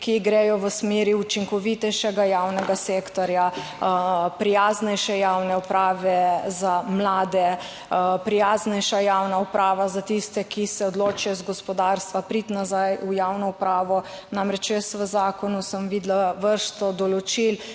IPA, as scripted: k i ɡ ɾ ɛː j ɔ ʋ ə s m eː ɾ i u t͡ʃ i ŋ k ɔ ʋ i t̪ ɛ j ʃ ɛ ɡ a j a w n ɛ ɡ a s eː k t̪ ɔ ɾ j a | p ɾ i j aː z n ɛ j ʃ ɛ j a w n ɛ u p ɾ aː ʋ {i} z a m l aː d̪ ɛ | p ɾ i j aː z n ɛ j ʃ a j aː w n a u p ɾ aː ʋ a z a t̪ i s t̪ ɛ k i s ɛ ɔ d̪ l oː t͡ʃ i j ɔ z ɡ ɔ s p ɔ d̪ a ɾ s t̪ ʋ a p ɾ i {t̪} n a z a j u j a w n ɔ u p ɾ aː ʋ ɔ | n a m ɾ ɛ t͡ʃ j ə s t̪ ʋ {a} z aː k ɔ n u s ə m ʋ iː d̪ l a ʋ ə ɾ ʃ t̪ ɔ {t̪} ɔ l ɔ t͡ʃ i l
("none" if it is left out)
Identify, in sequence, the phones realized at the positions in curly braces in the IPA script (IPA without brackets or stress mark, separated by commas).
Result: ɛ, t̪, ə, d̪